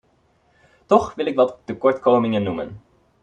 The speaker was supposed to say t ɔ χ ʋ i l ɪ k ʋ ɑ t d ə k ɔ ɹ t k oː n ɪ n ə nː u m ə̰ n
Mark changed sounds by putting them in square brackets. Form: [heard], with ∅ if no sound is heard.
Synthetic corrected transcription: t ɔ χ ʋ [ɪ] l ɪ k ʋ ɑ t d ə k ɔ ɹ t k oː [m] ɪ [ŋ] ə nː u m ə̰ n